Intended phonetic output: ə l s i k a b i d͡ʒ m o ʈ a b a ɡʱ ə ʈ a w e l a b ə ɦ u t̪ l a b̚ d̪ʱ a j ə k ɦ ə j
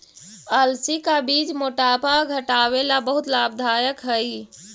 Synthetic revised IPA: ə l s i k a b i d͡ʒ m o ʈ a p a ɡʱ ə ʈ a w e l a b ə ɦ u t̪ l a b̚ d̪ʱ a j ə k ɦ ə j